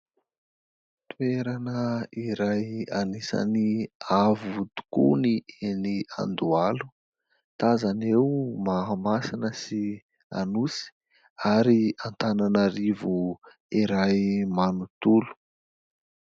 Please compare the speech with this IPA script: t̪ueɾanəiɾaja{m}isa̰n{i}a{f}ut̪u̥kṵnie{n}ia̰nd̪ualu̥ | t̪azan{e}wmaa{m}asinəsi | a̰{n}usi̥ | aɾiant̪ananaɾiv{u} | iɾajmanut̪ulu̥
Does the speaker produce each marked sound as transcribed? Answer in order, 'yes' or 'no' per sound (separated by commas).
no, yes, no, yes, yes, yes, yes, yes